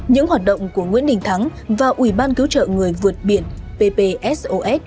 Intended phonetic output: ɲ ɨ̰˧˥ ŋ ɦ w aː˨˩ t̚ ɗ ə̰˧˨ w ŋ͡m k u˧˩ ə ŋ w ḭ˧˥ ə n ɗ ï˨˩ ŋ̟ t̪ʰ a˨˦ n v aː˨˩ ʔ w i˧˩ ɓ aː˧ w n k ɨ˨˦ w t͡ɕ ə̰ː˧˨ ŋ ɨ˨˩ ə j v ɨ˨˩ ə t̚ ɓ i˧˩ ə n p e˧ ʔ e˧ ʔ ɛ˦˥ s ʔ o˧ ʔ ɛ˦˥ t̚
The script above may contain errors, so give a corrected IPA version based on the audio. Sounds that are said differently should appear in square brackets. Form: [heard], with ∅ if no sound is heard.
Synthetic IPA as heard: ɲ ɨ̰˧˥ ŋ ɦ w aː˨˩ t̚ ɗ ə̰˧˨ w ŋ͡m k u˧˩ ə ŋ w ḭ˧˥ ə n ɗ ï˨˩ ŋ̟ t̪ʰ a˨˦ [ŋ] v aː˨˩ ʔ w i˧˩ ɓ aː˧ [∅] n k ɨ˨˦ w t͡ɕ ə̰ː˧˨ ŋ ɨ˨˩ ə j v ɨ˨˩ ə t̚ ɓ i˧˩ ə n p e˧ [p] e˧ ʔ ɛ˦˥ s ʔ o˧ ʔ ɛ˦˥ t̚

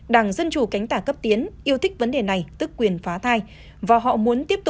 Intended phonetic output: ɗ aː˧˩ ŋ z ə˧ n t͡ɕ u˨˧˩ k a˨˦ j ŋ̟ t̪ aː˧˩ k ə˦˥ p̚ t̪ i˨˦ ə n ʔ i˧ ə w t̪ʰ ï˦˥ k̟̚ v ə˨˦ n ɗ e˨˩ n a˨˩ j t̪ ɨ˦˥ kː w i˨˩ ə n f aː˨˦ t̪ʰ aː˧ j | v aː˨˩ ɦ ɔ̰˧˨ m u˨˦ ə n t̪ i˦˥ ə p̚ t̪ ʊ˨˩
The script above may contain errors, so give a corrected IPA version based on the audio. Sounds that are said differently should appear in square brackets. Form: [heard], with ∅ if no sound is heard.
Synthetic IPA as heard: ɗ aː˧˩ ŋ z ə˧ n t͡ɕ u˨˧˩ k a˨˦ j ŋ̟ t̪ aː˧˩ k ə˦˥ p̚ t̪ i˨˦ ə n ʔ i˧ ə w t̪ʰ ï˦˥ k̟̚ v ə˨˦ n ɗ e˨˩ n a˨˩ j t̪ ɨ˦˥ kː w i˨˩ ə n f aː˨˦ t̪ʰ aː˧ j | v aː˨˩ ɦ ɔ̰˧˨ m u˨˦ ə n t̪ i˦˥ ə p̚ t̪ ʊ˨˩

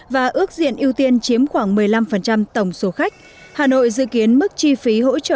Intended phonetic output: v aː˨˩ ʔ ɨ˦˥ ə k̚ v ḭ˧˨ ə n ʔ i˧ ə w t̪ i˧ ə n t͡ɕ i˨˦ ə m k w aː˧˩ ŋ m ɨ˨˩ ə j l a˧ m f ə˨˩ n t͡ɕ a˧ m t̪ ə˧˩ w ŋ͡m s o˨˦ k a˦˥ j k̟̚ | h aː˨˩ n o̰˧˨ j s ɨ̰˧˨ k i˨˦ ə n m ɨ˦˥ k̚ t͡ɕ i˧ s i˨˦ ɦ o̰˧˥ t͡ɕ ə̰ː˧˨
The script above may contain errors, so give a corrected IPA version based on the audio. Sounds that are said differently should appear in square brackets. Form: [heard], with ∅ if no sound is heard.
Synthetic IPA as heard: v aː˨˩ ʔ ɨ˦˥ ə k̚ [z] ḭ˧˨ ə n ʔ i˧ ə w t̪ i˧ ə n t͡ɕ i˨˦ ə m [x] w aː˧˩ ŋ m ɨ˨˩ ə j l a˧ m f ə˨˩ n t͡ɕ a˧ m t̪ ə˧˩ w ŋ͡m s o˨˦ [x] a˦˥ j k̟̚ | h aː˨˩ n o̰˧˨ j [z] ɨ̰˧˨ k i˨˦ ə n m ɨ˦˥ k̚ t͡ɕ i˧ [f] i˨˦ ɦ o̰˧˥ t͡ɕ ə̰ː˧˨

